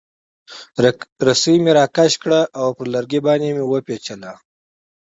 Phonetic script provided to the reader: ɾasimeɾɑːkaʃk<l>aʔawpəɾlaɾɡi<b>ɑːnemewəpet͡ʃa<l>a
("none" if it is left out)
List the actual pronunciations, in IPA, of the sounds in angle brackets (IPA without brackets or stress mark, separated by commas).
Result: ɽ, b, l